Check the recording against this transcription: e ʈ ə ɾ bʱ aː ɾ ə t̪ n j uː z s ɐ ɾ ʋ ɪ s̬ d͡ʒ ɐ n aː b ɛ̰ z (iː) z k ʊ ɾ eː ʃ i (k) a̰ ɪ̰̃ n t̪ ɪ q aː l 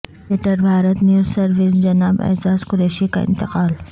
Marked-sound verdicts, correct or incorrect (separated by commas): incorrect, correct